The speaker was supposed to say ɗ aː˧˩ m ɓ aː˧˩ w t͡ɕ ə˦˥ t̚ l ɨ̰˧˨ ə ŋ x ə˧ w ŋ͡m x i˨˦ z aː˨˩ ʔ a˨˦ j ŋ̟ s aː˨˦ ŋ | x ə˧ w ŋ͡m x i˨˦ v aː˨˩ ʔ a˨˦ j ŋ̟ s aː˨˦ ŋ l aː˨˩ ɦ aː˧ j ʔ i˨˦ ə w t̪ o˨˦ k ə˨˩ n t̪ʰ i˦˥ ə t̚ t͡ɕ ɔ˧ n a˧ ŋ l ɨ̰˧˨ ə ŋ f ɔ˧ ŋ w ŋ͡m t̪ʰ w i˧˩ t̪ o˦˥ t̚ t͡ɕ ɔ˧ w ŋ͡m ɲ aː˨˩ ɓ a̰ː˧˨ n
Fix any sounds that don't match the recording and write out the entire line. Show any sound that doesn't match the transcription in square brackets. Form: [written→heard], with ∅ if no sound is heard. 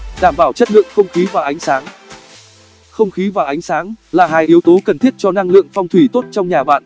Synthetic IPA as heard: ɗ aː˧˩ m ɓ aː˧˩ w t͡ɕ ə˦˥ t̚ l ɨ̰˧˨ ə ŋ x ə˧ w ŋ͡m x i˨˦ [z→v] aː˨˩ ʔ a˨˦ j ŋ̟ s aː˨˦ ŋ | x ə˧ w ŋ͡m x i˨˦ v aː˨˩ ʔ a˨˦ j ŋ̟ s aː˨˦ ŋ l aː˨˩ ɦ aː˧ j ʔ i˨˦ ə w t̪ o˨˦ k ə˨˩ n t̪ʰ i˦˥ ə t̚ t͡ɕ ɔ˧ n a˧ ŋ l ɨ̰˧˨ ə ŋ f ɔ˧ [ŋ→∅] w ŋ͡m t̪ʰ w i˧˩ t̪ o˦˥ t̚ t͡ɕ ɔ˧ w ŋ͡m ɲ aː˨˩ ɓ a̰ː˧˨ n